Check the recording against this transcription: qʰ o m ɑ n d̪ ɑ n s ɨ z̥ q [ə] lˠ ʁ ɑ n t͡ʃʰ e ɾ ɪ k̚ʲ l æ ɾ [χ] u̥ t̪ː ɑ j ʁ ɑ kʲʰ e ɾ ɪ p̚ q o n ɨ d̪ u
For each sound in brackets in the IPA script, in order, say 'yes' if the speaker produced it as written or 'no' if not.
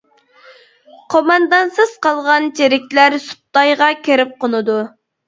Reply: no, no

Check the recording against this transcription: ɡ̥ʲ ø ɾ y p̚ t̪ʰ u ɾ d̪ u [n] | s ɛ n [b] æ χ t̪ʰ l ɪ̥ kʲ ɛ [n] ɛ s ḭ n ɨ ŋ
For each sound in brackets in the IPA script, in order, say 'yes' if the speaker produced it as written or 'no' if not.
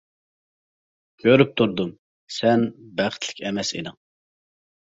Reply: no, yes, no

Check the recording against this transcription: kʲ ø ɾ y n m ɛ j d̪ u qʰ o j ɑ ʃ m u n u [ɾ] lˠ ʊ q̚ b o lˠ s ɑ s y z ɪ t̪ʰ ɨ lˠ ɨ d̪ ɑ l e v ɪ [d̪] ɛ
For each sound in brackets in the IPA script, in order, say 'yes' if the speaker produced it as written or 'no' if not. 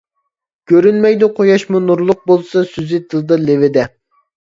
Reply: yes, yes

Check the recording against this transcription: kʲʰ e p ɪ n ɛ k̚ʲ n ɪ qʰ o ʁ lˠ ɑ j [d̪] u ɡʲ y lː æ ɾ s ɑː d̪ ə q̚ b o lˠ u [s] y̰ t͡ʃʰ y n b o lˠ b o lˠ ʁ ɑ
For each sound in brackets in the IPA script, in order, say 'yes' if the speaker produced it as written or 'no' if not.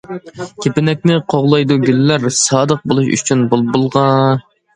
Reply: yes, no

